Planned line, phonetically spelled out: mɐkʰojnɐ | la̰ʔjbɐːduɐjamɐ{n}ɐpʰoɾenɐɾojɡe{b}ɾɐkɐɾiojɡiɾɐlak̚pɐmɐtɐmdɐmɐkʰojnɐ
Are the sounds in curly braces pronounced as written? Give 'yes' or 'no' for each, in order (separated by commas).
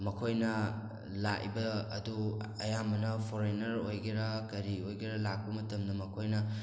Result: yes, no